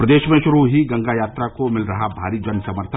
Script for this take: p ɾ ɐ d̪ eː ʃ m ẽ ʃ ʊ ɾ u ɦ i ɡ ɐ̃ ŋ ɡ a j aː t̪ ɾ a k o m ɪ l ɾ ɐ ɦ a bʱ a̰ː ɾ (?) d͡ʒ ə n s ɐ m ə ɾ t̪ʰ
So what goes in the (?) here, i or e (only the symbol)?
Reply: i